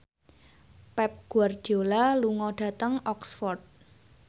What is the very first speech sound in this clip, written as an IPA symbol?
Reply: p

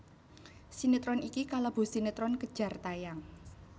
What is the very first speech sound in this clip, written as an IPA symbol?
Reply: s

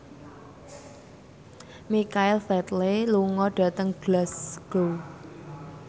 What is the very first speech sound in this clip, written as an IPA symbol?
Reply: m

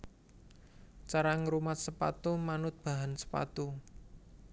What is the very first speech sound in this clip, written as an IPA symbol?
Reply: t͡ʃ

